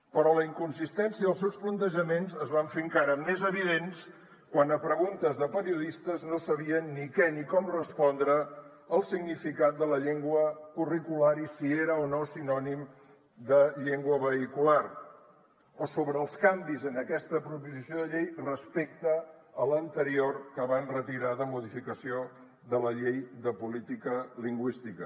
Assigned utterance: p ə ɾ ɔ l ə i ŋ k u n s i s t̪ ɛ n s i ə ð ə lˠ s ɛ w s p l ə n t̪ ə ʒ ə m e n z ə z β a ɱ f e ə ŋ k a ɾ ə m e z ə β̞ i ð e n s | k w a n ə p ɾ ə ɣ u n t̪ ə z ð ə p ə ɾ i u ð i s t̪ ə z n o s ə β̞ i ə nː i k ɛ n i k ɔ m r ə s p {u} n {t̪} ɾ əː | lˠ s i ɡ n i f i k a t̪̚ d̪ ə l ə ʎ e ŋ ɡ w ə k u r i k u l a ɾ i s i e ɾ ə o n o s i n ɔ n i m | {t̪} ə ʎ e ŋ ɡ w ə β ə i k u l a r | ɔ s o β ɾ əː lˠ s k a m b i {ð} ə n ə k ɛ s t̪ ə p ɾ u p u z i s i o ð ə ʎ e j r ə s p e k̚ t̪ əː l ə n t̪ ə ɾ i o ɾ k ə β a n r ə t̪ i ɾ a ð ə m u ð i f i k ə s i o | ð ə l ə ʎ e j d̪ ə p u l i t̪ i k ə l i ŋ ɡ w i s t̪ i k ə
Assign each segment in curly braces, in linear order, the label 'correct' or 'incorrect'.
incorrect: ɔ, incorrect: d̪, incorrect: d̪, incorrect: z

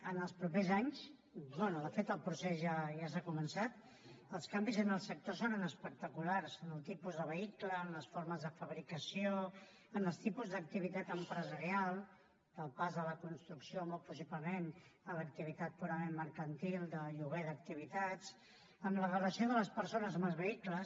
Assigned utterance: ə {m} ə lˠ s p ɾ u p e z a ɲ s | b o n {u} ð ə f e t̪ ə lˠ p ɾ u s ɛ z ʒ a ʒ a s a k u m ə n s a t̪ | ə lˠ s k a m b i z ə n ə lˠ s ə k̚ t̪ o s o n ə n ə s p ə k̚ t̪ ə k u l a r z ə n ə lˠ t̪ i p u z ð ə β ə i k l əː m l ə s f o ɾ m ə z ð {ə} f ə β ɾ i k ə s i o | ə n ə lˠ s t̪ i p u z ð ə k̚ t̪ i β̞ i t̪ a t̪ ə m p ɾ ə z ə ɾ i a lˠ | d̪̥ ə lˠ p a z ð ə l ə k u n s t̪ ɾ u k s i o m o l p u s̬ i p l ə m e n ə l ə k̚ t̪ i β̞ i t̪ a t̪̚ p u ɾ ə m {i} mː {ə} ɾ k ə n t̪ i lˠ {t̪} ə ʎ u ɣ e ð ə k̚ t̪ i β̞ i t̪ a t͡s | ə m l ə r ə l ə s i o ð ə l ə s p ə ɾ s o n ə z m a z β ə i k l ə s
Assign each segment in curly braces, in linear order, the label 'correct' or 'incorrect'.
incorrect: n, correct, correct, incorrect: e, correct, incorrect: d̪

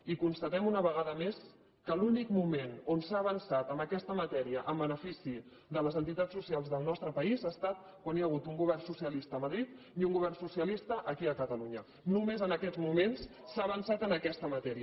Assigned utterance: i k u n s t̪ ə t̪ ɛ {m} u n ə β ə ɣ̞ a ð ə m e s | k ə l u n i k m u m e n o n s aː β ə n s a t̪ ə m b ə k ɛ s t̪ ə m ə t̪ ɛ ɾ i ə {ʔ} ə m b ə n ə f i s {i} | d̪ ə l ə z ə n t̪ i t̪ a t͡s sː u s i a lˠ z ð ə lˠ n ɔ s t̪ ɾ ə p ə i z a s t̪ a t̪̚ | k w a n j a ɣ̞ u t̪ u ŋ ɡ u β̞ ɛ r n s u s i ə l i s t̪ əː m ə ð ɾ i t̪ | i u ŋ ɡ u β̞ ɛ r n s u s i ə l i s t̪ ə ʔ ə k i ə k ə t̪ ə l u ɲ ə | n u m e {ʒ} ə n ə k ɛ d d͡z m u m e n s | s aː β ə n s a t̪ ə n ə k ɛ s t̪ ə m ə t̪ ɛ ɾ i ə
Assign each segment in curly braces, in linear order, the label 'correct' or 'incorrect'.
correct, correct, correct, incorrect: z

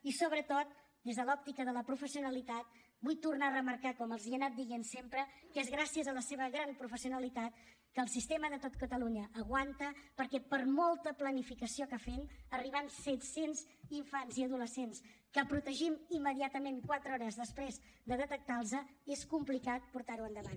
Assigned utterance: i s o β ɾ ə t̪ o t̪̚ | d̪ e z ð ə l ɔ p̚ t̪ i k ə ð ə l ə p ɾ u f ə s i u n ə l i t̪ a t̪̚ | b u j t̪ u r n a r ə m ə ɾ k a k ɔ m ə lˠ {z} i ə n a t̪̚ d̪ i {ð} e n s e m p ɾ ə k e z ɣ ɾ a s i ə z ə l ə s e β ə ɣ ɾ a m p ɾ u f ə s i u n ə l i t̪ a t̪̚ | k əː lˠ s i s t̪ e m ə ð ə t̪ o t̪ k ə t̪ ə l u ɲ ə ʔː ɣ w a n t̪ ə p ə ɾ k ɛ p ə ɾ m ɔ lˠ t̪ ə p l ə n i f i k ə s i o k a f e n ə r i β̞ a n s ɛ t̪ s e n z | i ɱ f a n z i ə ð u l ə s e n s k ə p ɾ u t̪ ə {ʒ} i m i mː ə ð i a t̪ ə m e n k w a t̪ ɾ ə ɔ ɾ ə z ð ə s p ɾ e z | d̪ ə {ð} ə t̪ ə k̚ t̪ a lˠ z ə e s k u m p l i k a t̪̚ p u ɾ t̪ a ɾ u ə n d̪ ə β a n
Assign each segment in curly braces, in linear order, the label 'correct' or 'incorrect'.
correct, incorrect: ɣ, correct, correct

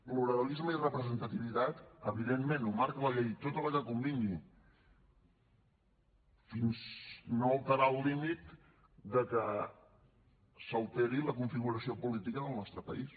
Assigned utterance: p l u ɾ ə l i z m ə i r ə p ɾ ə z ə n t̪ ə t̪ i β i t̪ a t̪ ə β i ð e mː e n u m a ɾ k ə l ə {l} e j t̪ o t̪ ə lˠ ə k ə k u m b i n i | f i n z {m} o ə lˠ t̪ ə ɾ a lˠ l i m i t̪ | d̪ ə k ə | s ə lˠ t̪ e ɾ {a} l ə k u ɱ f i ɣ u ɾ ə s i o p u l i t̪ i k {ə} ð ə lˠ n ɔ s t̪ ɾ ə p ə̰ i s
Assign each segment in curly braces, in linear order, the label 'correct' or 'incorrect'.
incorrect: ʎ, incorrect: n, incorrect: i, correct

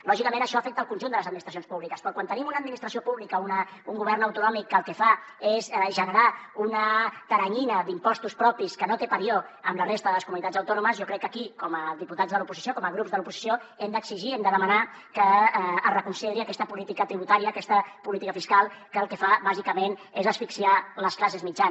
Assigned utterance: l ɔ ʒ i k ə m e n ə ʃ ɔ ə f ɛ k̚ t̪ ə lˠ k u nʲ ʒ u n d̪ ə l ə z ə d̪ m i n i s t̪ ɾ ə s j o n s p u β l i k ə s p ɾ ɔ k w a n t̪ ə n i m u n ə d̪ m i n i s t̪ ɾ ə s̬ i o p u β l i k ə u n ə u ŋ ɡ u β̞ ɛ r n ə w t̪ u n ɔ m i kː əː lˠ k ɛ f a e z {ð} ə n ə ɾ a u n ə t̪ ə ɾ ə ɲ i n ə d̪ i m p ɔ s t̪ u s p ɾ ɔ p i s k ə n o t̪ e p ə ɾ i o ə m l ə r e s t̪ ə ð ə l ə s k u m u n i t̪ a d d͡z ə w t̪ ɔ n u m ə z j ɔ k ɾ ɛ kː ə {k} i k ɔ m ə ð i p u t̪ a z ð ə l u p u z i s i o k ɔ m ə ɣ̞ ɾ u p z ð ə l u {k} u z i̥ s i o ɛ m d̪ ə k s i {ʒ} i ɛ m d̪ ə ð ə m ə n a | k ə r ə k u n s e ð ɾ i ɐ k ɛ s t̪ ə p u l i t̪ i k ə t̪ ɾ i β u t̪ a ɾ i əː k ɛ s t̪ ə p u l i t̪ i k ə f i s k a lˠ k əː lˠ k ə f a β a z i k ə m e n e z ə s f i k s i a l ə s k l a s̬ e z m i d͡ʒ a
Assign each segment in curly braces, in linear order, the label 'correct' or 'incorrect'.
incorrect: ʒ, correct, incorrect: p, correct

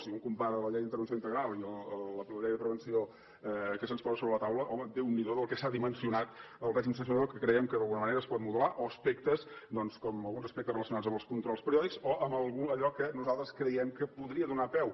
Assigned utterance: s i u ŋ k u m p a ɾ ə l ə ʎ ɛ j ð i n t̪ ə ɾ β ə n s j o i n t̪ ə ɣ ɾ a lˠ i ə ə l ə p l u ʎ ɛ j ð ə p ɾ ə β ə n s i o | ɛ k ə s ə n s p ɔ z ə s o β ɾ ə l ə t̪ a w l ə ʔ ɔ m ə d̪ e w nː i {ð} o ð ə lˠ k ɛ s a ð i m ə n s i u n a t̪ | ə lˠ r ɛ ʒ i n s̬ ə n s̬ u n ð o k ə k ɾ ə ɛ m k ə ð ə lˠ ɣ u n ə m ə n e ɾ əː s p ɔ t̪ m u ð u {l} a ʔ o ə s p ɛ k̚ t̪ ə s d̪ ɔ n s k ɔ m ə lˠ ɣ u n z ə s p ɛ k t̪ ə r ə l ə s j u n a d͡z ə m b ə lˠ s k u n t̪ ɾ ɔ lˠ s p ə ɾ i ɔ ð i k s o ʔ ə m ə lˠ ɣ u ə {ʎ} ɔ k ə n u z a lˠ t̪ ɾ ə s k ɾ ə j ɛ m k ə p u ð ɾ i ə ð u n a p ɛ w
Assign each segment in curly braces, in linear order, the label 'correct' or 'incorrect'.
correct, correct, correct

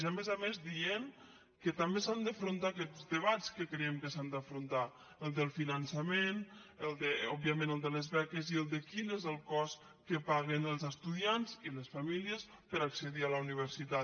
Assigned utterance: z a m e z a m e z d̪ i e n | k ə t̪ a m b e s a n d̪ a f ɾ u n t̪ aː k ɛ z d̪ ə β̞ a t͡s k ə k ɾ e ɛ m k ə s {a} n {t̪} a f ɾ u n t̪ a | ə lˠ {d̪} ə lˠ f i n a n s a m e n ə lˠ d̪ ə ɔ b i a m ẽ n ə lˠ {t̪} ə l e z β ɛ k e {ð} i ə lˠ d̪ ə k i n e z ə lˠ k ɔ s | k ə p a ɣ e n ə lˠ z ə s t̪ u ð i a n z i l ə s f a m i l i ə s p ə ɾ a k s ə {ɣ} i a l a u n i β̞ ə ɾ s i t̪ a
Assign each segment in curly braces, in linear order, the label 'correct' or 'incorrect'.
correct, incorrect: d̪, correct, incorrect: d̪, incorrect: z, incorrect: ð

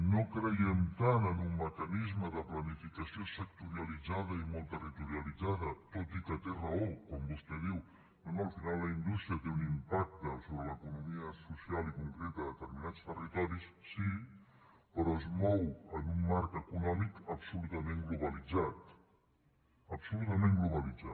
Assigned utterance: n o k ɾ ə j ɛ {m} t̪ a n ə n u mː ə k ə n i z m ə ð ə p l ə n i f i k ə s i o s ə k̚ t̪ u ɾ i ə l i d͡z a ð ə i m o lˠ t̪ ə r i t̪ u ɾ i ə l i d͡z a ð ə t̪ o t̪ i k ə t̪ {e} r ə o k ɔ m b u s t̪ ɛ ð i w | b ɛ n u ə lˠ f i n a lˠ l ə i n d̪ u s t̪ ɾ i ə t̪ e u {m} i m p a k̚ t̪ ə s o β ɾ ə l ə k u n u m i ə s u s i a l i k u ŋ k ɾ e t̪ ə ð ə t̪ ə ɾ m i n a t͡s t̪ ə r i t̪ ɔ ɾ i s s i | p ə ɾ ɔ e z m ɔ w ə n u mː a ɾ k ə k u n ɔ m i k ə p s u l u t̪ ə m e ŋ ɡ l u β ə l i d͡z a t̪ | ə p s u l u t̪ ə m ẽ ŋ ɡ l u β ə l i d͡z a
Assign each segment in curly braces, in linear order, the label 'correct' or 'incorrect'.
correct, correct, incorrect: n

